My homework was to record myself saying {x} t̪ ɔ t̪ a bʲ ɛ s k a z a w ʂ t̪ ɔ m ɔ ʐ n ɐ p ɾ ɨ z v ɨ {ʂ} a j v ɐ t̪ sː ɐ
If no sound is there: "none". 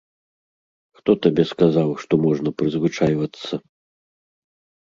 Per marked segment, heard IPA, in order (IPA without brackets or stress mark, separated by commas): x, t͡ʂ